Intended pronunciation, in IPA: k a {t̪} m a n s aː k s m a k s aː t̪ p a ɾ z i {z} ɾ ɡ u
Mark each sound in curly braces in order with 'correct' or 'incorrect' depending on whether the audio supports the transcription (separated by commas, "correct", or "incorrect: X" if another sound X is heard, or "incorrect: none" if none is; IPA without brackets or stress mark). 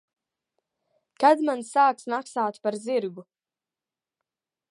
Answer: incorrect: d̪, incorrect: none